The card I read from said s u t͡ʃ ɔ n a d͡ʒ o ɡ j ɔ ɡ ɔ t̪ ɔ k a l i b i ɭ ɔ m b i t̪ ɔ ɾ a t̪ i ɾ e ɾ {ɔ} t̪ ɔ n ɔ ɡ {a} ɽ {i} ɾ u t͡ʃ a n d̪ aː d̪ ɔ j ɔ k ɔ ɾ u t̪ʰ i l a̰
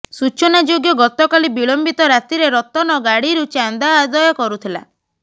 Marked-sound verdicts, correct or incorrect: correct, correct, correct

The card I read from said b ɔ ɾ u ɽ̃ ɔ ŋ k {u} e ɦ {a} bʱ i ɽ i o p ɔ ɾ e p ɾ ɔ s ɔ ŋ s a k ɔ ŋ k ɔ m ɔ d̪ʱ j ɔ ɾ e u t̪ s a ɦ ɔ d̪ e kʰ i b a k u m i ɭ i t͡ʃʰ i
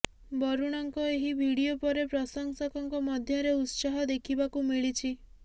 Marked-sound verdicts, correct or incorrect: incorrect, incorrect

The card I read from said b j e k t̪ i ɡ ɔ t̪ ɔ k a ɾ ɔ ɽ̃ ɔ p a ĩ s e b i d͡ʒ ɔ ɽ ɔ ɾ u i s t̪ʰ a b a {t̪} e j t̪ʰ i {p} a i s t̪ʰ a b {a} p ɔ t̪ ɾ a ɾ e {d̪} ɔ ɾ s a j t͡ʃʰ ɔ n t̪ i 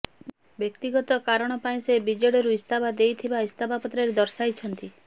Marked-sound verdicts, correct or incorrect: incorrect, incorrect, correct, correct

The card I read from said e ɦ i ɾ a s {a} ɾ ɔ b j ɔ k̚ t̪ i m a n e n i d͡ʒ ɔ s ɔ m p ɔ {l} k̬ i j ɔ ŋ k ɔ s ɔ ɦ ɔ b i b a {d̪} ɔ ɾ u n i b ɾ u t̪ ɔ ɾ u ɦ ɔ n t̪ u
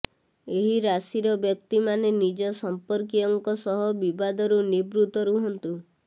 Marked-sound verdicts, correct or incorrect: incorrect, incorrect, correct

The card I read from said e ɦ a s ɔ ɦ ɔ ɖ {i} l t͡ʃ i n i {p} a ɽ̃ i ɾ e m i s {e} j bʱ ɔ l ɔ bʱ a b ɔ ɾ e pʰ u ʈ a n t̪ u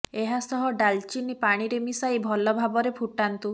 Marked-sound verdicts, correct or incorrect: incorrect, correct, incorrect

